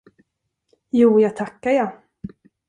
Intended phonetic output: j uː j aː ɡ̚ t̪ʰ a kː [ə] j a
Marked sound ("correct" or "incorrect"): incorrect